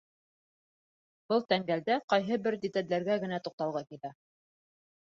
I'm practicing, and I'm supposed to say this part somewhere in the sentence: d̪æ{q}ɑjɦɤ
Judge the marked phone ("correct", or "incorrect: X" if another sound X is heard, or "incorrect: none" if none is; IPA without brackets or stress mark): correct